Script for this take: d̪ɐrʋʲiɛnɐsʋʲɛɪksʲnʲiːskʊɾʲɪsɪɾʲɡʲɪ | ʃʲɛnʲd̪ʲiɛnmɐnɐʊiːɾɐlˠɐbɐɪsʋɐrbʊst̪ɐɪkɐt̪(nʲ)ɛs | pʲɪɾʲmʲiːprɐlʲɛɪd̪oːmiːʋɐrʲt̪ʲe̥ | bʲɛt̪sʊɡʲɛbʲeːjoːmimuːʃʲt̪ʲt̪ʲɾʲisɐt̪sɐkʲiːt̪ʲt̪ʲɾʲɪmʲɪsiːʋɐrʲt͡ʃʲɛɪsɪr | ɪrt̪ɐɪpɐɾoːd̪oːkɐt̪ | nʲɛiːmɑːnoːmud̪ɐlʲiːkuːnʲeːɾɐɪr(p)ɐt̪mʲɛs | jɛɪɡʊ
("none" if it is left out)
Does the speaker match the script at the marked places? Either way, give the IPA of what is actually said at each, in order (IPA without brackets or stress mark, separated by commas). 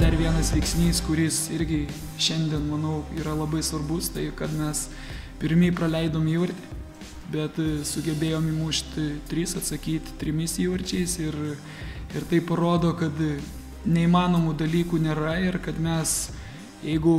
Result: mʲ, k